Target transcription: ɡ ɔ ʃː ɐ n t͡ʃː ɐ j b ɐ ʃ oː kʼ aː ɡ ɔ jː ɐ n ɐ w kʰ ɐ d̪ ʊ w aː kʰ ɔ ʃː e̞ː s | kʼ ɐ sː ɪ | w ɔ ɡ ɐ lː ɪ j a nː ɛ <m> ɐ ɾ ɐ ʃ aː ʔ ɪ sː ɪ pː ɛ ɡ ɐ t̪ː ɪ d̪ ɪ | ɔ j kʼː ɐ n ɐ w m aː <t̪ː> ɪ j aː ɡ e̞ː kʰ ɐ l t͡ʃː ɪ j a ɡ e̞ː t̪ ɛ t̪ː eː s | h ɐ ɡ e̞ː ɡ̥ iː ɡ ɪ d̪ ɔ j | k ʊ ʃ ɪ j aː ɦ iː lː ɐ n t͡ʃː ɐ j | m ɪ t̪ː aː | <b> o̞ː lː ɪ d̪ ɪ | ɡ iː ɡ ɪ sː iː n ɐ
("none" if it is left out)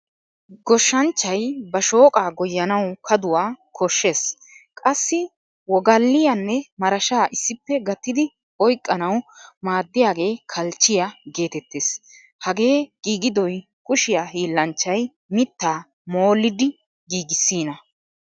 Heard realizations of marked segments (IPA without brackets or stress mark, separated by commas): m, d̪ː, m